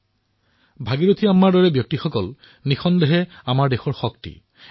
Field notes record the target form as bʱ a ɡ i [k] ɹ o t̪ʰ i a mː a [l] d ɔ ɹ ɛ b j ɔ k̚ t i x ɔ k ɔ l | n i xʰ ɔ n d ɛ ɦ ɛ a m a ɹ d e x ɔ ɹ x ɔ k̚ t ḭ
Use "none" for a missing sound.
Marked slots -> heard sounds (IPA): none, ɹ

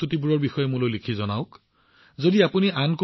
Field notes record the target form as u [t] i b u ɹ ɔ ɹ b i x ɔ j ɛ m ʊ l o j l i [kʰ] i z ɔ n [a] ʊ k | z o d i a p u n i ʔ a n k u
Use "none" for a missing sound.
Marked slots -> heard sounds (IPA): t, kʰ, a

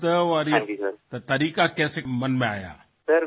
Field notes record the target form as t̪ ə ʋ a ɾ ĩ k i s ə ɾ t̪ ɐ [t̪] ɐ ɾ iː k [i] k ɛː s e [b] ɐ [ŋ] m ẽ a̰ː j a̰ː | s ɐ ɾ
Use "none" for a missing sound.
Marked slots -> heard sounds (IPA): t̪, a, m, n

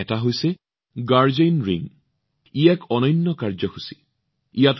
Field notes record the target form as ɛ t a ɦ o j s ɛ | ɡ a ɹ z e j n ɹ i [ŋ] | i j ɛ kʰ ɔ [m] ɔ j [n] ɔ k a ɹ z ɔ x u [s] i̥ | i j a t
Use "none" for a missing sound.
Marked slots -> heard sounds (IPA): ŋ, n, nː, s

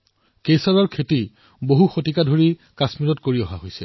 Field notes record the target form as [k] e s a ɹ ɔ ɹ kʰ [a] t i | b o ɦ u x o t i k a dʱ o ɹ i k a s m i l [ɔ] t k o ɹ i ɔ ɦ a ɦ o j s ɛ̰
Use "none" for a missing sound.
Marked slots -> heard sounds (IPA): k, e, ɔ

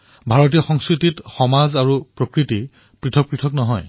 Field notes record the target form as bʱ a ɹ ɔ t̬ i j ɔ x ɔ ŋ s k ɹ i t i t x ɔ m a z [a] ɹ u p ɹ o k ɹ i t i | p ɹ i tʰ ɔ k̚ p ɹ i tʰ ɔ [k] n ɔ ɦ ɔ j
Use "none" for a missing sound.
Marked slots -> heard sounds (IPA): a, k

